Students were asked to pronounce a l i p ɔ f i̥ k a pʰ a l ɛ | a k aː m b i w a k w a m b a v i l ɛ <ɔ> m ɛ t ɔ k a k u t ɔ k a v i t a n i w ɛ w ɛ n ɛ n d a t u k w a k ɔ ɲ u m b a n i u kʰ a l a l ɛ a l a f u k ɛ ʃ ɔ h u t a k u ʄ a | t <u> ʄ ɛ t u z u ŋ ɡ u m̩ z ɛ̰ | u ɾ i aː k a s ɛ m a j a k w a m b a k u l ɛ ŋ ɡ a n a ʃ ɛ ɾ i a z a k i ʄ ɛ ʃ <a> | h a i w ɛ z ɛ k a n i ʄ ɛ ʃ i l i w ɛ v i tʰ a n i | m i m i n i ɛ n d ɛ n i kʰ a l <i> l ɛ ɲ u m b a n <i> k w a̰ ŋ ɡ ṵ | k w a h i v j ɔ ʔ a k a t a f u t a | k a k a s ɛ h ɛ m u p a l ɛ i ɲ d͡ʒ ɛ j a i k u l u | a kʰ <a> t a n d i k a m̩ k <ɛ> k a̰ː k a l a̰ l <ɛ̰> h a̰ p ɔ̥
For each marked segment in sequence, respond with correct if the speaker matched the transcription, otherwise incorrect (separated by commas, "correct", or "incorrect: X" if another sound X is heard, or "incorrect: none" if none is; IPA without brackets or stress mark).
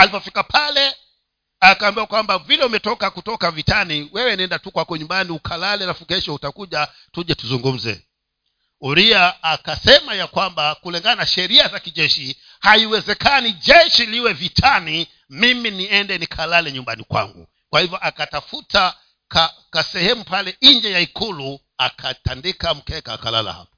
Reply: incorrect: u, correct, incorrect: i, incorrect: a, correct, correct, correct, incorrect: a̰